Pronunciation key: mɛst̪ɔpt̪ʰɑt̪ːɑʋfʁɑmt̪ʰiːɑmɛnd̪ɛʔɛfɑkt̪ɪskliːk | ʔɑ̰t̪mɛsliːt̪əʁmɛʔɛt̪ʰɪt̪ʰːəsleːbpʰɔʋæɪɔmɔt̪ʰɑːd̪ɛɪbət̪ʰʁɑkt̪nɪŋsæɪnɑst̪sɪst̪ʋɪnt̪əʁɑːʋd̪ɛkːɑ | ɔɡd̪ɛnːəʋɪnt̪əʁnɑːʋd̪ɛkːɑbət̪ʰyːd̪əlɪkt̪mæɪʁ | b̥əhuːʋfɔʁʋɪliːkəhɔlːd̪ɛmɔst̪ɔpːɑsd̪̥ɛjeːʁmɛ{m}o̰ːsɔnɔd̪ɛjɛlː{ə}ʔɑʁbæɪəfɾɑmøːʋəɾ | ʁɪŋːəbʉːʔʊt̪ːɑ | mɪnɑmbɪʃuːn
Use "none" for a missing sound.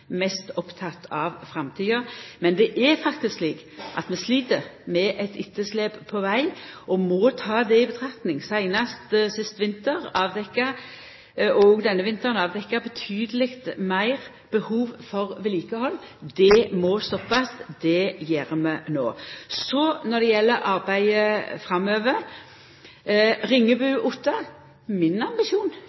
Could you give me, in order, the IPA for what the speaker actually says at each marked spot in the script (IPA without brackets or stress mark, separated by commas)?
n, ə